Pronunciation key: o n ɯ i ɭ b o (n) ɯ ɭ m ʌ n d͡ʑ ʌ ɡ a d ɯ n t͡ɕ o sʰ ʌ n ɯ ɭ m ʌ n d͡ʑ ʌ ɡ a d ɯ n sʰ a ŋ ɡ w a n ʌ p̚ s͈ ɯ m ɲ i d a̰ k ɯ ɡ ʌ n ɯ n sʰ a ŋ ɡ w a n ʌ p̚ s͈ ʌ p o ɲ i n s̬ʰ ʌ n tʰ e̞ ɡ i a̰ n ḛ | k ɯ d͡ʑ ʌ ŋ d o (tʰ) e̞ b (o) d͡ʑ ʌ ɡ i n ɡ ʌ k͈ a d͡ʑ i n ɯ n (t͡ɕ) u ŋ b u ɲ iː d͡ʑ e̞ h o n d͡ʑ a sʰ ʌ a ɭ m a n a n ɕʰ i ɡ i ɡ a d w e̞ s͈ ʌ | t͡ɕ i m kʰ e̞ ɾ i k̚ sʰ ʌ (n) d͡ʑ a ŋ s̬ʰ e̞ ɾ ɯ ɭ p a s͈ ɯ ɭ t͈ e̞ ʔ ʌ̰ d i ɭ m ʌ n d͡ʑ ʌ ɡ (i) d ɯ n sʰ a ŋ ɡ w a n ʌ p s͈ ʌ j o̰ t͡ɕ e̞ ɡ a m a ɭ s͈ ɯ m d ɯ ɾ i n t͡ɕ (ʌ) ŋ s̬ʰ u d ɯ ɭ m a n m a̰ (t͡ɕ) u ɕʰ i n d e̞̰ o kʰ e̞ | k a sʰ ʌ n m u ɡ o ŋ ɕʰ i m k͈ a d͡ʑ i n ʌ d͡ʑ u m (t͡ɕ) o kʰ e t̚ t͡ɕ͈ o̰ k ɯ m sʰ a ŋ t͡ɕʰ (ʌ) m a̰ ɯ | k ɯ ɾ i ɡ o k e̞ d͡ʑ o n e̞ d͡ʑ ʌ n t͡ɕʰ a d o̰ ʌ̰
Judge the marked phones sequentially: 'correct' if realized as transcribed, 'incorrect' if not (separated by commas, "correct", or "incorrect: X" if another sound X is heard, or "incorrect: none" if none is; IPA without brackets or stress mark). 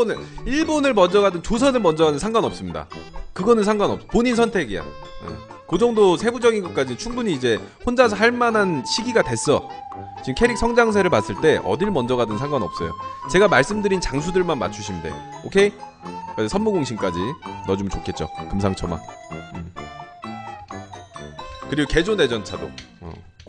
correct, incorrect: sʰ, incorrect: u, incorrect: t͡ɕʰ, incorrect: ŋ, incorrect: a, incorrect: a, incorrect: t͡ɕʰ, correct, correct